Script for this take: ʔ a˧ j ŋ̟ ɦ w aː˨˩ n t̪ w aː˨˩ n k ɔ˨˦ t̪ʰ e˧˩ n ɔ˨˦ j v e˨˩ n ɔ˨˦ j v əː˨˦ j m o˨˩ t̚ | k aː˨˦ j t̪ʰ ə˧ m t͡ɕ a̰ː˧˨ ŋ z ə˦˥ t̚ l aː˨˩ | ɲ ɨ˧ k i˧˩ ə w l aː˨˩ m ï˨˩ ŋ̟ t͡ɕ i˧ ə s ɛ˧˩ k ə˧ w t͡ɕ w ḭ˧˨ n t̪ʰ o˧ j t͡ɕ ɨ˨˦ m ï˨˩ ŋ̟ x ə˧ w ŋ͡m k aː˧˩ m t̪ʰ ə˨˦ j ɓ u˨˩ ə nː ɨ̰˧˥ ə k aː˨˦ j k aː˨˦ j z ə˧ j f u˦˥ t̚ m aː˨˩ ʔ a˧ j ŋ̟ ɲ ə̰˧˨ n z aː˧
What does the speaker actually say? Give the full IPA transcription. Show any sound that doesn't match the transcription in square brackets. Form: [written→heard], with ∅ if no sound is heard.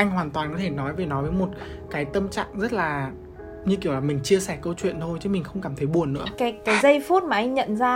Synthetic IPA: ʔ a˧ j ŋ̟ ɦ w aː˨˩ n t̪ w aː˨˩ n k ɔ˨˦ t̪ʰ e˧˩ n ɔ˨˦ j v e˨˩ n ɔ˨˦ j v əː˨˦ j m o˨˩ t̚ | k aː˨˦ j [t̪ʰ→t̪] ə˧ m t͡ɕ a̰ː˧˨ ŋ z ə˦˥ t̚ l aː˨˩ | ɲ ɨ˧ k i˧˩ ə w l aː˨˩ m ï˨˩ ŋ̟ t͡ɕ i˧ ə s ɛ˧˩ k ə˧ w t͡ɕ w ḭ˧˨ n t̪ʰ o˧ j t͡ɕ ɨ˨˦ m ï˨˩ ŋ̟ x ə˧ w ŋ͡m k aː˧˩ m t̪ʰ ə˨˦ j ɓ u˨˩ ə nː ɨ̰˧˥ ə k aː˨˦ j k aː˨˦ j z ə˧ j f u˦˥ t̚ m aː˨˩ ʔ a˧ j ŋ̟ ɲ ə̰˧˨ n z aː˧